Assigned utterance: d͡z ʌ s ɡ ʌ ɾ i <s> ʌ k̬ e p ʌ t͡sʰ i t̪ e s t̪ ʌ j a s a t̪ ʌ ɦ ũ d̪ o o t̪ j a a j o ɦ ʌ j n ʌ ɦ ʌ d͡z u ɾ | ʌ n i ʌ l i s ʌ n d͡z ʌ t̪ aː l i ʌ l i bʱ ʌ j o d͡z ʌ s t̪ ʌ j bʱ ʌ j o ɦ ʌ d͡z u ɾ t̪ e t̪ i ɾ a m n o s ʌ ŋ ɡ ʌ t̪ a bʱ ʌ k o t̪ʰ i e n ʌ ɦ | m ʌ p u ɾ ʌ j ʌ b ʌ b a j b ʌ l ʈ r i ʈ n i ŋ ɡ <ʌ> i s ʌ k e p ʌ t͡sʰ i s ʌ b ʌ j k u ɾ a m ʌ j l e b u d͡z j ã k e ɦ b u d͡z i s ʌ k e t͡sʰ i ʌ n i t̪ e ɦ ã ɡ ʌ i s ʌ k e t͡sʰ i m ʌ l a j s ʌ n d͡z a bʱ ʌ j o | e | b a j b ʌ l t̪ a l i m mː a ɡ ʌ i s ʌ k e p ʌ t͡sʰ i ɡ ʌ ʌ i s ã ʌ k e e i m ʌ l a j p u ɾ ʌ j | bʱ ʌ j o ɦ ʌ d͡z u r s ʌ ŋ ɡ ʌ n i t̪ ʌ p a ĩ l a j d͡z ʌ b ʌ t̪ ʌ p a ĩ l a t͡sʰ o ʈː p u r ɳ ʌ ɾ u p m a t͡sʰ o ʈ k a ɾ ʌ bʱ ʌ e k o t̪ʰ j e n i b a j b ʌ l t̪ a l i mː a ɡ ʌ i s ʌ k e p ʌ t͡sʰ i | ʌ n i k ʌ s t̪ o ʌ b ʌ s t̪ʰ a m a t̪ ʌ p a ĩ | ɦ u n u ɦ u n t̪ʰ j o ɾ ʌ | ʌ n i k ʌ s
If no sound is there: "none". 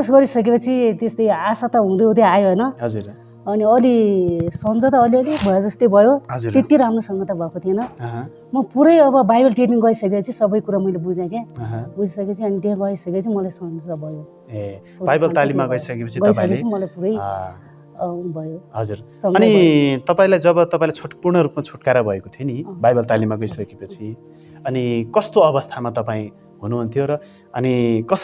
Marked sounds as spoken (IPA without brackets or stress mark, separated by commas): s, ʌ